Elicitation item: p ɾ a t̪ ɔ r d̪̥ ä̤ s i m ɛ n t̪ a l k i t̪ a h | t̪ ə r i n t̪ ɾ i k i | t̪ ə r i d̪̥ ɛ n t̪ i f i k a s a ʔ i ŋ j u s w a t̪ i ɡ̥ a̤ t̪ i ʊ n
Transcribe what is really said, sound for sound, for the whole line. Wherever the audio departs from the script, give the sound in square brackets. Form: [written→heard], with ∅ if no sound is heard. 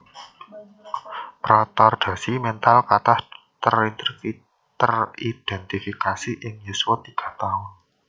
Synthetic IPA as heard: p ɾ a t̪ ɔ r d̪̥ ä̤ s i m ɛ n t̪ a l k [i→a] t̪ a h | t̪ ə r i n t̪ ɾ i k i | t̪ ə r i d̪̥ ɛ n t̪ i f i k a s [a→i] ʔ [i→ɪ] ŋ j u s w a t̪ i ɡ̥ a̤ t̪ [i→a] ʊ n